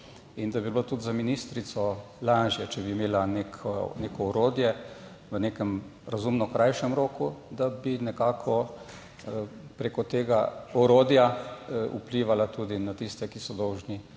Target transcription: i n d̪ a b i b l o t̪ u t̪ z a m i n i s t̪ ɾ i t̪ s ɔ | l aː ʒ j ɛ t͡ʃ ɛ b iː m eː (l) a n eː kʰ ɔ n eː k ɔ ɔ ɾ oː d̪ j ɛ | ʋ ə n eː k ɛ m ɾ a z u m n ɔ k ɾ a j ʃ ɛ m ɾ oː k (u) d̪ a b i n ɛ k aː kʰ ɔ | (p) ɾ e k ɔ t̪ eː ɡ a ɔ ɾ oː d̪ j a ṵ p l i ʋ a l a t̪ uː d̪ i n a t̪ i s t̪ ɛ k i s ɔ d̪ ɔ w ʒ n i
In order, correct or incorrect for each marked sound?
correct, correct, correct

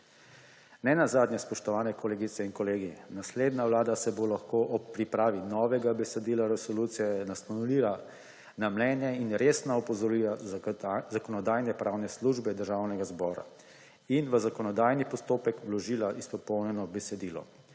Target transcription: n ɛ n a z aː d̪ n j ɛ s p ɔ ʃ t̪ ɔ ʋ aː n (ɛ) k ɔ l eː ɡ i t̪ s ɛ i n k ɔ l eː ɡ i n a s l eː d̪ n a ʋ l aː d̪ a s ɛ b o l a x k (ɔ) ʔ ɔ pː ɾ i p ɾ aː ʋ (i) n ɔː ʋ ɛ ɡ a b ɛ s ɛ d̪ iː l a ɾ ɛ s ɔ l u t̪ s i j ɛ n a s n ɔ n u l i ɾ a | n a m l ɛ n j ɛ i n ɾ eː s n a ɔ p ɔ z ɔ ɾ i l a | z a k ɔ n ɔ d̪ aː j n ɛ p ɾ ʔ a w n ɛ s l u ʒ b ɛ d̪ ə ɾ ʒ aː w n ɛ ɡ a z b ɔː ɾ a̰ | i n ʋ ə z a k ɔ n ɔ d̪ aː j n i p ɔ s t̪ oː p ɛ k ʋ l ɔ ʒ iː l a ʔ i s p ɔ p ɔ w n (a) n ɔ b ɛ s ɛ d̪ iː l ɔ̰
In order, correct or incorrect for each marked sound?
correct, incorrect: o, correct, incorrect: ɛ

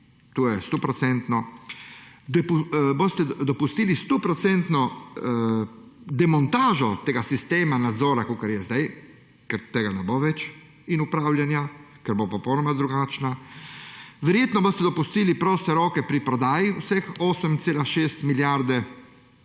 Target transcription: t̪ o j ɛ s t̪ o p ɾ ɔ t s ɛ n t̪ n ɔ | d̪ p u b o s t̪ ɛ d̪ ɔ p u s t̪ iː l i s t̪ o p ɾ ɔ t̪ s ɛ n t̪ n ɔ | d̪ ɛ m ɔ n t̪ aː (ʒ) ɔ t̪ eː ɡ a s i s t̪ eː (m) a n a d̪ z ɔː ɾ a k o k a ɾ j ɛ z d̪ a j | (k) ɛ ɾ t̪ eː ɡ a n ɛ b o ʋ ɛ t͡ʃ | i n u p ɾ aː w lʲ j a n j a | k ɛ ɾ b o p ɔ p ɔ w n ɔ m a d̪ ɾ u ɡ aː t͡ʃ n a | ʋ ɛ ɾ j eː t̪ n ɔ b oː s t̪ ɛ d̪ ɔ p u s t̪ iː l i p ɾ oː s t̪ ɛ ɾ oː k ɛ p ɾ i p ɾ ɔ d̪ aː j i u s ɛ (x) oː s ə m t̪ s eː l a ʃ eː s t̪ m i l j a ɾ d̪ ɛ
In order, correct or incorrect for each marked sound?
correct, correct, correct, correct

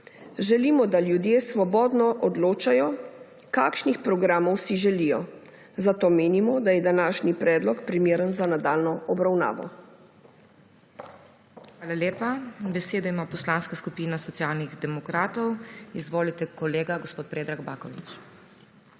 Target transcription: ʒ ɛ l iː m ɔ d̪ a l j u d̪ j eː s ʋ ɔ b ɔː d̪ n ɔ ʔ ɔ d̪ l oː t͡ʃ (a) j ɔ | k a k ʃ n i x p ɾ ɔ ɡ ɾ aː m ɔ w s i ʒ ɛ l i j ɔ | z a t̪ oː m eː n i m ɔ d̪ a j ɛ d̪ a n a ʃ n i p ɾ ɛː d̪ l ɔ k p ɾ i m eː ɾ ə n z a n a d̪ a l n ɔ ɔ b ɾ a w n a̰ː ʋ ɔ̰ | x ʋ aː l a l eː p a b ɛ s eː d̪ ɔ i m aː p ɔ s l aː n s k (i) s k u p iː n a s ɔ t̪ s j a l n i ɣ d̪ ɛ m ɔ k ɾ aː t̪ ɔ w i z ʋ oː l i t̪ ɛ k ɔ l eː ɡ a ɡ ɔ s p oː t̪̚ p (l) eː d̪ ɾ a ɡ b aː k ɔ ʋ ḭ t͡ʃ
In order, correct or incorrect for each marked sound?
correct, incorrect: a, incorrect: ɾ

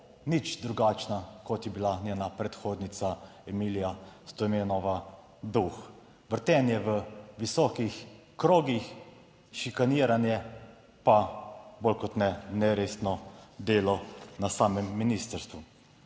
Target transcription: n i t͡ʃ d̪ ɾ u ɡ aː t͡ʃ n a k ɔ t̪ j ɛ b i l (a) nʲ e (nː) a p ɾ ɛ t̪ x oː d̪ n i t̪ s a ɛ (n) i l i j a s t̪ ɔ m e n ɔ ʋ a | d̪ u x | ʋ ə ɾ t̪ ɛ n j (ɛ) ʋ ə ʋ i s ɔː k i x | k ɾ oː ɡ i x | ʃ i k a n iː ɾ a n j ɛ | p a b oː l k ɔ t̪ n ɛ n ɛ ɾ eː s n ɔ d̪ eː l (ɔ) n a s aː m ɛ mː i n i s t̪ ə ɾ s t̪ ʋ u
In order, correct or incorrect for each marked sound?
correct, incorrect: n, incorrect: m, correct, correct

